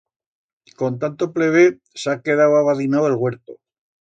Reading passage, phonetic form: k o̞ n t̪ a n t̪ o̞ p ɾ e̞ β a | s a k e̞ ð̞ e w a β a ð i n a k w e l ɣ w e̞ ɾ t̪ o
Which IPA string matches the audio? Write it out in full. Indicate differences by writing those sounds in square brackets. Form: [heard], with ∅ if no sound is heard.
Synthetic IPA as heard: k o̞ n t̪ a n t̪ o̞ p [l] e̞ β [e] | s a k e̞ ð̞ [a] w a β a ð i n a [∅] w e l ɣ w e̞ ɾ t̪ o